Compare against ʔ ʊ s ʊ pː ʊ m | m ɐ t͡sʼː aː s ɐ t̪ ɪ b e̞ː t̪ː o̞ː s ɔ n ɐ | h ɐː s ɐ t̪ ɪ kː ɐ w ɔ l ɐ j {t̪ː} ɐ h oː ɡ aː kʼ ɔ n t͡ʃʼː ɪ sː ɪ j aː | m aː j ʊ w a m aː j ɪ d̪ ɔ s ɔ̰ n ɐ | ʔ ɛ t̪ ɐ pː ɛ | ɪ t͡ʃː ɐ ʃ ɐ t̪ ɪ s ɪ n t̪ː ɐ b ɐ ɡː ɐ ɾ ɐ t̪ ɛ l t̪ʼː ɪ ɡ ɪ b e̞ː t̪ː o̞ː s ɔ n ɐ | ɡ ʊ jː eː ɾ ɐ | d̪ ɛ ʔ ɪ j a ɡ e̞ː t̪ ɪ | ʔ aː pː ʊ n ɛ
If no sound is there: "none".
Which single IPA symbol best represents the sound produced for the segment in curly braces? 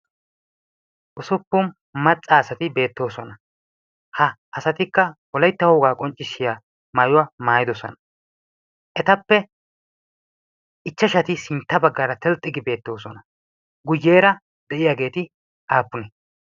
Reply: t̪ː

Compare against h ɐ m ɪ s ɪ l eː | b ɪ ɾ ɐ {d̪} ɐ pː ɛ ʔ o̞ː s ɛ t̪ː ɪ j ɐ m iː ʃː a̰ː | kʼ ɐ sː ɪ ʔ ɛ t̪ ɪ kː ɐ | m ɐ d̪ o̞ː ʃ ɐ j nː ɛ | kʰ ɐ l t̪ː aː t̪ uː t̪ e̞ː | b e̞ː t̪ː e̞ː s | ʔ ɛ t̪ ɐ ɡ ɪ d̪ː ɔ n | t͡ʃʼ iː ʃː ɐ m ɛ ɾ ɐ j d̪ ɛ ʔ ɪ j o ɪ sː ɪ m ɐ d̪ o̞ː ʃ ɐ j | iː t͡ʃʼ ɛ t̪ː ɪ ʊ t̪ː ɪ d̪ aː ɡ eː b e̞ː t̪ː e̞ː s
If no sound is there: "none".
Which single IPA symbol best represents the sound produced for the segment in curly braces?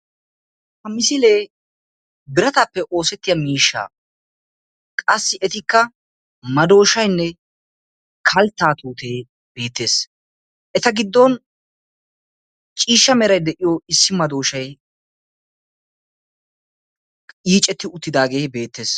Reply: t̪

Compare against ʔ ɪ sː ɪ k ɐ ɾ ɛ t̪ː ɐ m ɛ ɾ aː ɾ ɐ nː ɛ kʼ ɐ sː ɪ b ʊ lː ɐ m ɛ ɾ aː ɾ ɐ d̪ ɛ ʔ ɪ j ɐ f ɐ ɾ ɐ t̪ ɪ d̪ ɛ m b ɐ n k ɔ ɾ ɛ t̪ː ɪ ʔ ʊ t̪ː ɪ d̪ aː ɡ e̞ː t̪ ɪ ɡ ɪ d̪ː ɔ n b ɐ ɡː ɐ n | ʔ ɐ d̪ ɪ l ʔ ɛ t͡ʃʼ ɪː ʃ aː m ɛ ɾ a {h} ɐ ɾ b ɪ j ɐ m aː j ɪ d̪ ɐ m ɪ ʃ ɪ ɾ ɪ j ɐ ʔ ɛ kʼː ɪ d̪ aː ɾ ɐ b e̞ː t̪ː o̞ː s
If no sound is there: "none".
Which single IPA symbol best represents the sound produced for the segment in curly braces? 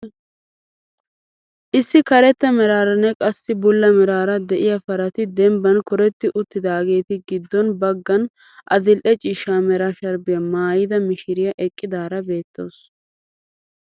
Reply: ʃ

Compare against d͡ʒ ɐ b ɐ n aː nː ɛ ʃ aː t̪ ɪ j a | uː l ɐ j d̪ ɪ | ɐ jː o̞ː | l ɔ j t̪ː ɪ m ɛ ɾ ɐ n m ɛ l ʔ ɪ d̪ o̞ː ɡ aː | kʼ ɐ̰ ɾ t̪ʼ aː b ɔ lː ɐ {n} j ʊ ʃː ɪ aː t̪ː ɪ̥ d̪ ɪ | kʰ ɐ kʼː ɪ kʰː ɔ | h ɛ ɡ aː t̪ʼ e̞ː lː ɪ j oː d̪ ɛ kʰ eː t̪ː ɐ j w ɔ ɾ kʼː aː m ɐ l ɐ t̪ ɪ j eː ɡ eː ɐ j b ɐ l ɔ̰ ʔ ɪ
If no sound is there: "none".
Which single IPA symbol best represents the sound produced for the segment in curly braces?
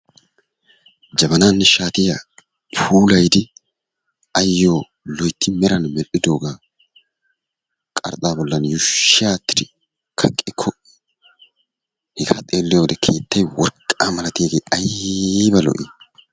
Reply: n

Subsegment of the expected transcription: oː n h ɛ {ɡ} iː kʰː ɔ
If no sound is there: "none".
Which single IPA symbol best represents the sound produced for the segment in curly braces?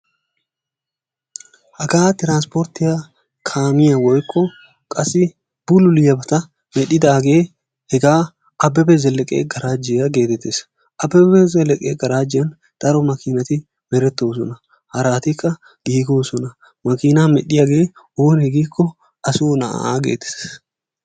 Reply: ɡ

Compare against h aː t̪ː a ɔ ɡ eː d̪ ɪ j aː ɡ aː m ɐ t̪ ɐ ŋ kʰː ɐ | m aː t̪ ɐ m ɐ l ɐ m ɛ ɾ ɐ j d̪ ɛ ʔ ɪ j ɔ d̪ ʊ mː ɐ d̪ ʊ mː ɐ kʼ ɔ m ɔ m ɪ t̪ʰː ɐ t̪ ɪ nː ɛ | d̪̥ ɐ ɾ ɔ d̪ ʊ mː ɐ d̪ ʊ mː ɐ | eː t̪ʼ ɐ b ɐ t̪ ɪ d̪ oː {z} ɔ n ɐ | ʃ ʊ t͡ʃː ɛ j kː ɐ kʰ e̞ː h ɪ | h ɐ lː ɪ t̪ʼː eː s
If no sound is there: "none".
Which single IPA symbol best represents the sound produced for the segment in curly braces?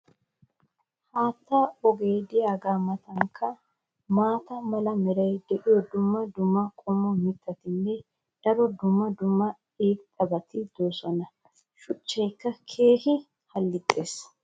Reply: s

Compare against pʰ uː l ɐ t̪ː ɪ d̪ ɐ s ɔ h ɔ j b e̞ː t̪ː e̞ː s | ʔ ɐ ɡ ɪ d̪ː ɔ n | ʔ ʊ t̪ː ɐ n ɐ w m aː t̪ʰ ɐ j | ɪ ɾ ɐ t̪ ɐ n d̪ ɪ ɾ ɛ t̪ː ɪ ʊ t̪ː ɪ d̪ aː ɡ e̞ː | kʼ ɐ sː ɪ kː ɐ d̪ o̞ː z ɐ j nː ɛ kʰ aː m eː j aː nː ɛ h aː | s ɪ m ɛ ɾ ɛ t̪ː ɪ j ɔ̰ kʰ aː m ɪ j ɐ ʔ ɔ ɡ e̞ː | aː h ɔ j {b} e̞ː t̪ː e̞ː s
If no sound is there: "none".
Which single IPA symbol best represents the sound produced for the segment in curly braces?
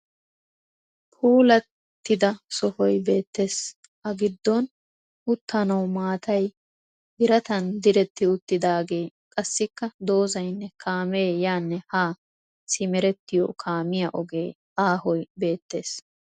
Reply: b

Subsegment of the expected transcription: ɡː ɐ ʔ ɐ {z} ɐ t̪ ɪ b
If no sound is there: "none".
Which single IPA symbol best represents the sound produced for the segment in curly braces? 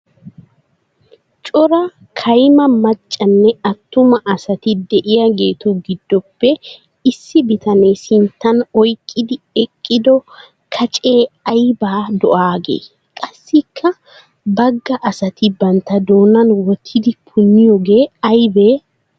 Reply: s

